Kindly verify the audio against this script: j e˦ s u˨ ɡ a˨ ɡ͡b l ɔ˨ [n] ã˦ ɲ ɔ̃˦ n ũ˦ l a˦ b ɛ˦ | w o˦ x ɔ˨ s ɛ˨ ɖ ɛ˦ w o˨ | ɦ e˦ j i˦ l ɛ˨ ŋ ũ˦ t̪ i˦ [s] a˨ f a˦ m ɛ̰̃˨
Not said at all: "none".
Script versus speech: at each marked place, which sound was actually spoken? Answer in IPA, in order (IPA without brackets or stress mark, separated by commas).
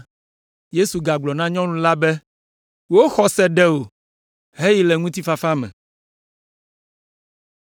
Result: n, f